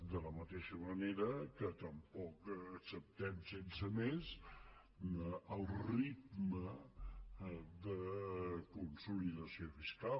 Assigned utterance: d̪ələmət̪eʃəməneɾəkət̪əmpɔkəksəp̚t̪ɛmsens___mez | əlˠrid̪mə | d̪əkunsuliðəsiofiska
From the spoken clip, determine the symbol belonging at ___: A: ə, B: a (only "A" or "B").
A